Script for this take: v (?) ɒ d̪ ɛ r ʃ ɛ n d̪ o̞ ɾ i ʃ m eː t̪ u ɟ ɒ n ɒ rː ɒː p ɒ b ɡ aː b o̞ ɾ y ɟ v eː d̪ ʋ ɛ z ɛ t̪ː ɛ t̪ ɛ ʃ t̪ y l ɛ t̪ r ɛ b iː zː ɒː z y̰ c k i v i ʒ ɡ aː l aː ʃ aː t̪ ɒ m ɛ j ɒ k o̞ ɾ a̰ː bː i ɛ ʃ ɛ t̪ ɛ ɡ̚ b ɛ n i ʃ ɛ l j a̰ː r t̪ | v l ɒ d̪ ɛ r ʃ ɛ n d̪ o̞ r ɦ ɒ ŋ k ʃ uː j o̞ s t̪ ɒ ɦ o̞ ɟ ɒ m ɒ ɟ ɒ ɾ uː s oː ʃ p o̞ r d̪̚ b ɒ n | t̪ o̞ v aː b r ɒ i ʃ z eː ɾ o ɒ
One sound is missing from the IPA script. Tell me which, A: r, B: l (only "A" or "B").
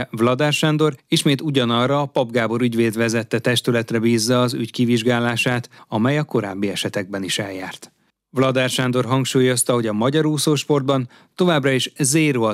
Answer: B